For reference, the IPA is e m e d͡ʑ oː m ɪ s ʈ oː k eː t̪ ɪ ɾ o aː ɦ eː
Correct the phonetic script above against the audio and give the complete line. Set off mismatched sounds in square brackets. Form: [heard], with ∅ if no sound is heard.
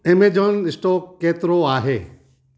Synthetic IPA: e m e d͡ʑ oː [n] ɪ s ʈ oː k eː t̪ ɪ ɾ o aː ɦ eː